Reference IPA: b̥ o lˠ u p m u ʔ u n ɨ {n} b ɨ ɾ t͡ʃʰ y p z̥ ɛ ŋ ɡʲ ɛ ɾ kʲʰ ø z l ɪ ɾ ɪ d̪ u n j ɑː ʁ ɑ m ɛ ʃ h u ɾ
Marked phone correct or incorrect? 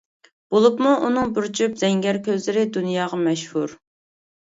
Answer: incorrect